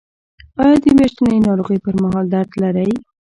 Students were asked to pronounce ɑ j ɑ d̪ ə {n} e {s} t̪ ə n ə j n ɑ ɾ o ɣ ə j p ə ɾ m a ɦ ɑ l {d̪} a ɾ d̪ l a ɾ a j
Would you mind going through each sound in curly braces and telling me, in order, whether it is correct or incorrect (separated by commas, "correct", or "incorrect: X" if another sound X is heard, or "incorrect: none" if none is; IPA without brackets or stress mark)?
incorrect: m, incorrect: ʃ, correct